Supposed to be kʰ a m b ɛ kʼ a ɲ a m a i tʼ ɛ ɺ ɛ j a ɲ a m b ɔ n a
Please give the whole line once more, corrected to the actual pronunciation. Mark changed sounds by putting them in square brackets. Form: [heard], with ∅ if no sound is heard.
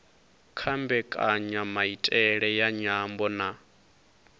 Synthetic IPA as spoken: kʰ a m b ɛ kʼ a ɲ a m a i tʼ ɛ ɺ ɛ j a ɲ a m b ɔ n a